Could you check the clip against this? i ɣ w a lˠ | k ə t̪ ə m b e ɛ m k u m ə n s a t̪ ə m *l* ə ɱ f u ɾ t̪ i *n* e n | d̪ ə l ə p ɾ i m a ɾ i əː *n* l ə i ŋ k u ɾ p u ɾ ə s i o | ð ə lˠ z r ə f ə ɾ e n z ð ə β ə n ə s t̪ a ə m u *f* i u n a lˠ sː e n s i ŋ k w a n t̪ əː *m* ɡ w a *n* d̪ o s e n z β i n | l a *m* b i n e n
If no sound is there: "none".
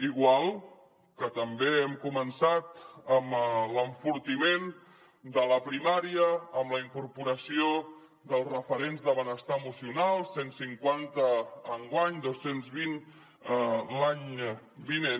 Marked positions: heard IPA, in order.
l, m, m, s, ŋ, ɲ, ɲ

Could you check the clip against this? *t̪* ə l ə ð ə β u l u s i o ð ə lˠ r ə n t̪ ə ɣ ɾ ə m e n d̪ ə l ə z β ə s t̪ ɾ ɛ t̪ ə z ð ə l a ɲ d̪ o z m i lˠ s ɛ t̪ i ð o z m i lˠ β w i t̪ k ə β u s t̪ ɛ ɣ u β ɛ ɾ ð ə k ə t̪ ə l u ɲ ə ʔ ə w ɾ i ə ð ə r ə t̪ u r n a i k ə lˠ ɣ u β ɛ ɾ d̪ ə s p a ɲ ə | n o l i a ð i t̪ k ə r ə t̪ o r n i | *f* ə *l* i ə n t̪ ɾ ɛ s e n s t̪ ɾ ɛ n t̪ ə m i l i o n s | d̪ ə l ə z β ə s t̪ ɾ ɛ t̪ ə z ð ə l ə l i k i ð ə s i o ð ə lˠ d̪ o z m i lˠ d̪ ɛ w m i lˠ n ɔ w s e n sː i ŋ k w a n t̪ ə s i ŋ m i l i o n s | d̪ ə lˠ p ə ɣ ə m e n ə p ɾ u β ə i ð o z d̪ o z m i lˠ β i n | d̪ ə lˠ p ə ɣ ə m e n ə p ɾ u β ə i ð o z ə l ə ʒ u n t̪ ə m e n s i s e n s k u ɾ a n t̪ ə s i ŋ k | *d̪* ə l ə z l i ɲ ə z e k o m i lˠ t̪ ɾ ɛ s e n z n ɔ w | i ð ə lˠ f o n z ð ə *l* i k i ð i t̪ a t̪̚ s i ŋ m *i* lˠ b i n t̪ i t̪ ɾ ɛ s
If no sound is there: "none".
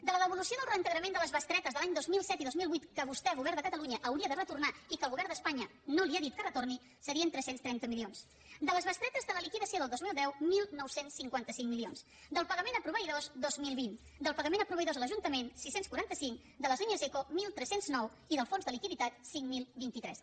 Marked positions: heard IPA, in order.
d̪, s, ɾ, d̪, l, i

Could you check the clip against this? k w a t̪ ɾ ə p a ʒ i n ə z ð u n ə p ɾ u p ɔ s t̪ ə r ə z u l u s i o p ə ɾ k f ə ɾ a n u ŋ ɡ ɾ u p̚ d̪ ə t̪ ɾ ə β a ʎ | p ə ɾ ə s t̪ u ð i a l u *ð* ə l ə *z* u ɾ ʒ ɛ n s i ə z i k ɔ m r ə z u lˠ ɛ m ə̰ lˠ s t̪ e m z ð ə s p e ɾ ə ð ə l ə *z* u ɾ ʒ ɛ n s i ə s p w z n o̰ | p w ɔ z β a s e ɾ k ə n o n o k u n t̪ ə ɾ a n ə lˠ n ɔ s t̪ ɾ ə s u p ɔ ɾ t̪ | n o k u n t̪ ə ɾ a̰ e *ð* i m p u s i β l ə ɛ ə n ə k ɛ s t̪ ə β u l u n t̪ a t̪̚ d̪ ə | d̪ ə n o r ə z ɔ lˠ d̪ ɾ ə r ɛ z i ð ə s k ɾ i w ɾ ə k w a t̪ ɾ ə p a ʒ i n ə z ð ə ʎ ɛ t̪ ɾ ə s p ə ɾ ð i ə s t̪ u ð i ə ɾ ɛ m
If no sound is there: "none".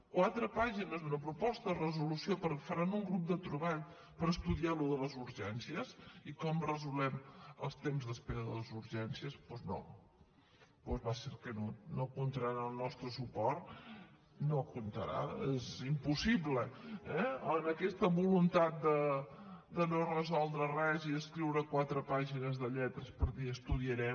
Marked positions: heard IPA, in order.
ð, z, z, z

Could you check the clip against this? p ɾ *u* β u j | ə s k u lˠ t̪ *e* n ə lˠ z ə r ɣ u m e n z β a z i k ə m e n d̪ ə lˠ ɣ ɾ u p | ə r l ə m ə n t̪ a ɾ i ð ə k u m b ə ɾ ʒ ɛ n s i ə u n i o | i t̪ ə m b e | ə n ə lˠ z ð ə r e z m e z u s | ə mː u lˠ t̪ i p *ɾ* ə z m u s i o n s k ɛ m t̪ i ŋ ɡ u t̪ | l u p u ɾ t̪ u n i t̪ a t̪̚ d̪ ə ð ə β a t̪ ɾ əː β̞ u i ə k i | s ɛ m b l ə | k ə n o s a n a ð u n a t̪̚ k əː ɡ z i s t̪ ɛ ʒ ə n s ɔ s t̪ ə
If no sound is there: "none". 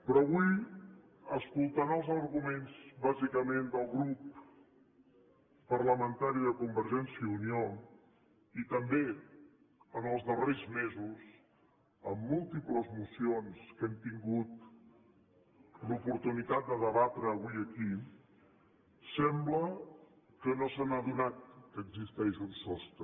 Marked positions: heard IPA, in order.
ɔ, a, l

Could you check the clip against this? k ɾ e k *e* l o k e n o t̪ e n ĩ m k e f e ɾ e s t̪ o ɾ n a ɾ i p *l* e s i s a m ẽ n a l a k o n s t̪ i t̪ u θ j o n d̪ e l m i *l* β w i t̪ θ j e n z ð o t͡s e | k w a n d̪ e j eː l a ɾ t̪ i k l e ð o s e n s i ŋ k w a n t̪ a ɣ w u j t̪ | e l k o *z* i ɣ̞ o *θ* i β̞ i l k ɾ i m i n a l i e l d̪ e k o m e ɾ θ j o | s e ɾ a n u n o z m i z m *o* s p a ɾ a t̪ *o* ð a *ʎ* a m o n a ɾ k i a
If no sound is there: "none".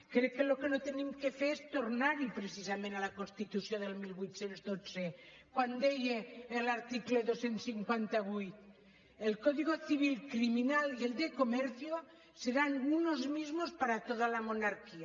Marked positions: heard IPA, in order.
e, ɾ, l, ð, θ, o, o, l

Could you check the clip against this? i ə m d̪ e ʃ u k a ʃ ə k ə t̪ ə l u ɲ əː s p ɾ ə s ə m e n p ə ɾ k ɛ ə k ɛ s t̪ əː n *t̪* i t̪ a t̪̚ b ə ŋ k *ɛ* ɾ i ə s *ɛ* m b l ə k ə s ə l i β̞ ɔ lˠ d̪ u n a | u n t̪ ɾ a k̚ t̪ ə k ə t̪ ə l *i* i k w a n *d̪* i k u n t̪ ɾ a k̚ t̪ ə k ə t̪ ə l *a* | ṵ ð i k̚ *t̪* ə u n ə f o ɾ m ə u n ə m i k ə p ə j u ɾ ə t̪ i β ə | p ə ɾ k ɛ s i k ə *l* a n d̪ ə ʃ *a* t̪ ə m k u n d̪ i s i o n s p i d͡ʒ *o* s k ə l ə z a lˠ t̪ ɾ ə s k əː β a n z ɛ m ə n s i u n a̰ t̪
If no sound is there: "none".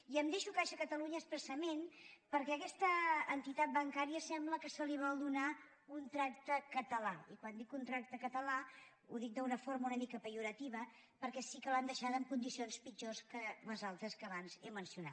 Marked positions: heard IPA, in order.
t̪, a, ɛ, a, d̪, a, d̪, l, a, o

